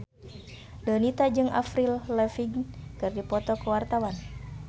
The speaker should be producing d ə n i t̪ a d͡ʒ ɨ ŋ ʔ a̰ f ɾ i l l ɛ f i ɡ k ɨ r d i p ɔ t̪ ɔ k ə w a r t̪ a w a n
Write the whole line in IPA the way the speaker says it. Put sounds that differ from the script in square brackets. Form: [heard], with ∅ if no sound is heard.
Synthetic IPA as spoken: d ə n i t̪ a d͡ʒ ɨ ŋ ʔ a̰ f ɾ i l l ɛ f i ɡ k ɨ r d i p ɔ t̪ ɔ k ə w a r t̪ a w a n